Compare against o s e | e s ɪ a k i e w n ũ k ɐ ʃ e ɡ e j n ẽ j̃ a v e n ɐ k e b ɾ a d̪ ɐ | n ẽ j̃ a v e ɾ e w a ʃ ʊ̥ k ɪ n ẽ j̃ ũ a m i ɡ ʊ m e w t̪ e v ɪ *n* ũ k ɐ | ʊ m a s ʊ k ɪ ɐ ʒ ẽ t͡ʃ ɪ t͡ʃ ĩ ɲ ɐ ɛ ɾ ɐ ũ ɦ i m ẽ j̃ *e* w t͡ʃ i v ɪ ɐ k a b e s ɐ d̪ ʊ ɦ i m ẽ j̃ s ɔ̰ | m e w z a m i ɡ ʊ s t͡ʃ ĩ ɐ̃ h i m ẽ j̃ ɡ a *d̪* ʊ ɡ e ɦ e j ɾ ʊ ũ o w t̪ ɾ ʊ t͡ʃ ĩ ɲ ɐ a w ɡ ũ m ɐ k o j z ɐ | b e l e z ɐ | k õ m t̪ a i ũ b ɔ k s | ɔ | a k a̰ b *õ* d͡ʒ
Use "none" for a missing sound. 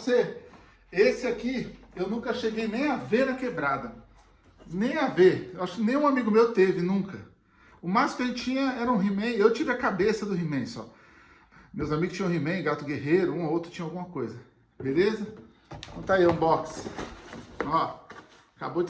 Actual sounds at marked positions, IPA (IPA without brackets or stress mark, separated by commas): n, e, t̪, o